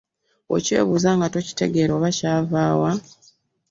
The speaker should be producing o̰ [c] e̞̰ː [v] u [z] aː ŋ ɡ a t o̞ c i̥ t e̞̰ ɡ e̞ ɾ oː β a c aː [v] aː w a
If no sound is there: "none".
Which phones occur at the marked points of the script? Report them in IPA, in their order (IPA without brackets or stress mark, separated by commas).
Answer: c, β, z, v